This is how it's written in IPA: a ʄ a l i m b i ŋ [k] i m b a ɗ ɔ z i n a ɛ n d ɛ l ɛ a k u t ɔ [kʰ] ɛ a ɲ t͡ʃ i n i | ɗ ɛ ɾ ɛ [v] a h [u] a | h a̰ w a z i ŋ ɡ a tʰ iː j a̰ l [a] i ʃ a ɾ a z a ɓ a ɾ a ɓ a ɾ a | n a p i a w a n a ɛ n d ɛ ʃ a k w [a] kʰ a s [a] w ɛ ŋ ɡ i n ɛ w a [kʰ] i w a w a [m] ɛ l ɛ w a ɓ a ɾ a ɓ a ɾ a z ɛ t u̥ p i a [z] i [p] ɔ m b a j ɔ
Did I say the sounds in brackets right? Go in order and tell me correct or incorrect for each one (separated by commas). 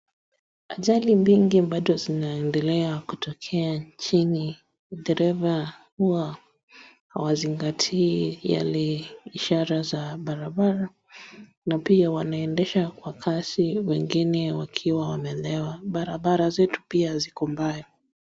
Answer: incorrect, correct, correct, correct, incorrect, correct, incorrect, correct, correct, correct, incorrect